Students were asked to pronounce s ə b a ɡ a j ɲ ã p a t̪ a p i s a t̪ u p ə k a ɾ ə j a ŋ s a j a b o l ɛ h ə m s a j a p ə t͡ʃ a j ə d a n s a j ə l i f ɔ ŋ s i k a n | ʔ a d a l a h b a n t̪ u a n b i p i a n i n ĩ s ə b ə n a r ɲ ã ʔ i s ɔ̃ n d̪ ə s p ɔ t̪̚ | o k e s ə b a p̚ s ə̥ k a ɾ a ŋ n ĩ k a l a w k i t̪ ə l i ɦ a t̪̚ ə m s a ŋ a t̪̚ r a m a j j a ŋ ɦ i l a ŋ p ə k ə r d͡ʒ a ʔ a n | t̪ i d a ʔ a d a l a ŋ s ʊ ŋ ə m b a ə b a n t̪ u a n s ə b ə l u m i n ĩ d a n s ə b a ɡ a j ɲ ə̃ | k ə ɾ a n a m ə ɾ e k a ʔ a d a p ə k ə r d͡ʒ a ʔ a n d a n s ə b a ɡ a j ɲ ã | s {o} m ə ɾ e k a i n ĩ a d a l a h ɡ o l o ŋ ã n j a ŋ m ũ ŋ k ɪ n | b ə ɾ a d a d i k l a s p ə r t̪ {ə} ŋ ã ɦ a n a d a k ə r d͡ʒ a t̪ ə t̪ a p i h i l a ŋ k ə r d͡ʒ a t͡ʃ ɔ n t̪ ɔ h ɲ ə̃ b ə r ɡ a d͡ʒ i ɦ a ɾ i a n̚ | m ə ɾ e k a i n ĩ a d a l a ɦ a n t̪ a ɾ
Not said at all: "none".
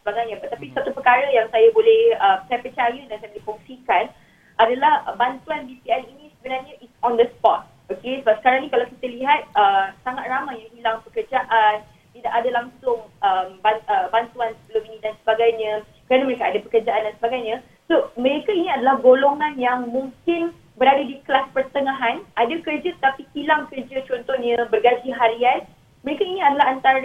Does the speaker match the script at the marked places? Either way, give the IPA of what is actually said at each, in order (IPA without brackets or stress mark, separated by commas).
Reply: o, ə